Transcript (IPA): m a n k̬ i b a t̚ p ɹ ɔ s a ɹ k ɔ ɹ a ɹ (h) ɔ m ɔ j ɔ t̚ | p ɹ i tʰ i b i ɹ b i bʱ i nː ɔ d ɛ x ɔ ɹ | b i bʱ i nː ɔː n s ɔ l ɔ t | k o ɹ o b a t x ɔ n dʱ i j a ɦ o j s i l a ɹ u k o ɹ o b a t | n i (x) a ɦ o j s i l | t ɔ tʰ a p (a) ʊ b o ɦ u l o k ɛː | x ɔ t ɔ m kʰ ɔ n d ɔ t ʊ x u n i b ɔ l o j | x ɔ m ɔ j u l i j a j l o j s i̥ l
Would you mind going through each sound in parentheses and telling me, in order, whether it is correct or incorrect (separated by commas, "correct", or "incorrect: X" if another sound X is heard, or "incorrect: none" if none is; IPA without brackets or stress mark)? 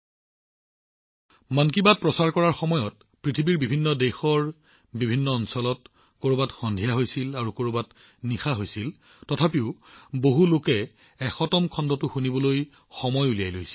incorrect: x, correct, incorrect: i